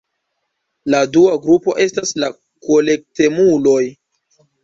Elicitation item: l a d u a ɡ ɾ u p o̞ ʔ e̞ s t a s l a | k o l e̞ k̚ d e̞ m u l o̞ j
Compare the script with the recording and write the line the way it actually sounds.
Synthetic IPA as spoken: l a d u a ɡ ɾ u p o̞ ʔ e̞ s t a s l a | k o l e̞ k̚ t e̞ m u l o̞ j

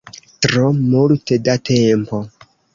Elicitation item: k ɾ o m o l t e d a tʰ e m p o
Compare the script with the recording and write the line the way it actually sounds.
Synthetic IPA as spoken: t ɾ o m u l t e d a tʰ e m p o

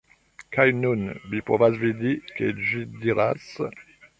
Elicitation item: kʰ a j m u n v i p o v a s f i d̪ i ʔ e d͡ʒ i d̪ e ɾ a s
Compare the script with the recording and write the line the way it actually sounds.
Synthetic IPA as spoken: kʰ a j n u n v i p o v a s v i d̪ i k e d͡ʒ i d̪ i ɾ a s

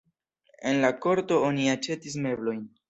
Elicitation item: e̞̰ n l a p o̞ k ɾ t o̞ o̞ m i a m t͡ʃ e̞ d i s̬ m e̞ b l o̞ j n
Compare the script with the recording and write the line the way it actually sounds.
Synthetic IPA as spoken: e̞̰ n l a k o̞ ɾ t o̞ o̞ n i a t͡ʃ e̞ t i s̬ m e̞ b l o̞ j n

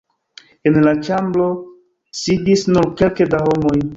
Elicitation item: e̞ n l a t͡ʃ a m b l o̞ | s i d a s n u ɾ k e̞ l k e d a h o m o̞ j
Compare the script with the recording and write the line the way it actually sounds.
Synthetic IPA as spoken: e̞ n l a t͡ʃ a m b l o̞ | s i d i s n u ɾ k e̞ l k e d a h o m o̞ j

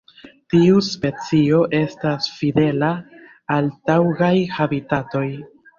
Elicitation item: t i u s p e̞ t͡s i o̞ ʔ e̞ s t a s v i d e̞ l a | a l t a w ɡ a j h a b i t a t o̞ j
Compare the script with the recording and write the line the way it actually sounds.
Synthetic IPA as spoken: t i u s p e̞ t͡s i o̞ ʔ e̞ s t a s f i d e̞ l a | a l t a w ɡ a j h a b i t a t o̞ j

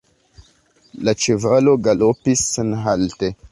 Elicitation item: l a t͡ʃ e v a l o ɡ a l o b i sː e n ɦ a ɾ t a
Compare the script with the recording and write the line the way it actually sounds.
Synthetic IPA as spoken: l a t͡ʃ e v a l o ɡ a l o p i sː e n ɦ a l t e

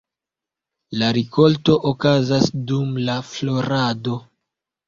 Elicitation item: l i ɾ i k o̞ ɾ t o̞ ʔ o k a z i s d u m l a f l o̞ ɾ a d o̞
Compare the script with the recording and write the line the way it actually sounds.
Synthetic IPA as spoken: l a ɾ i k o̞ l t o̞ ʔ o k a z a s d u m l a f l o̞ ɾ a d o̞

